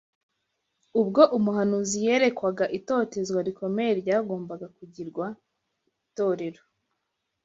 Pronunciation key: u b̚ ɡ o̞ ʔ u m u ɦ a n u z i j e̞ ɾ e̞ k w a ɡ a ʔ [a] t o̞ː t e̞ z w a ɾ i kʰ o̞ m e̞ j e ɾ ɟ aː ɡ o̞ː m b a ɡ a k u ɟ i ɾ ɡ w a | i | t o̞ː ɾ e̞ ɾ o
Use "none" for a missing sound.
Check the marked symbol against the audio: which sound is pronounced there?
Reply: i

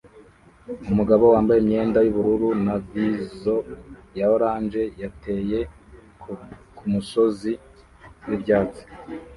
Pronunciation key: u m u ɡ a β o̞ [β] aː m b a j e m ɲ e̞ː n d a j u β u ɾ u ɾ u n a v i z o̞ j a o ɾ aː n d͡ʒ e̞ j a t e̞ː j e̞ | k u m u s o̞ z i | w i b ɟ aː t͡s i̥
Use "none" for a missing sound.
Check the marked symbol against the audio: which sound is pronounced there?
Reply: w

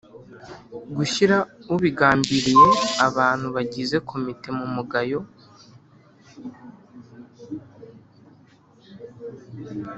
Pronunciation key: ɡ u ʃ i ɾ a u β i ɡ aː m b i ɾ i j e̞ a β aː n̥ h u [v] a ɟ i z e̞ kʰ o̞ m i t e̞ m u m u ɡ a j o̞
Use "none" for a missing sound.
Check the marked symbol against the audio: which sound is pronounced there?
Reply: β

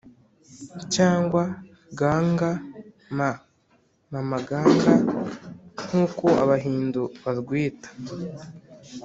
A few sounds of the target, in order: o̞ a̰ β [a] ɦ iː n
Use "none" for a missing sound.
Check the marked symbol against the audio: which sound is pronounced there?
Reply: a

